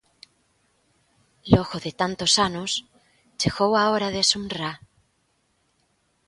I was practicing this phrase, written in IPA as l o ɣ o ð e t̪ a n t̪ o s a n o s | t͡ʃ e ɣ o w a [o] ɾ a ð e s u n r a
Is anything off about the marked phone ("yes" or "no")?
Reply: no